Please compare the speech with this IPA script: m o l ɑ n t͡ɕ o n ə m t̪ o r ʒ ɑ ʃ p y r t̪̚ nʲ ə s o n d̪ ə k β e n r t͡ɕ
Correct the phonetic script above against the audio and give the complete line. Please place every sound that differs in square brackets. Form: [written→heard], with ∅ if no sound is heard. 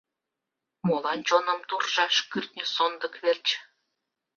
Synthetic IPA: m o l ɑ n t͡ɕ o n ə m t̪ [o→u] r ʒ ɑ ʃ [p→k] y r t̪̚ nʲ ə s o n d̪ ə k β e [n→∅] r t͡ɕ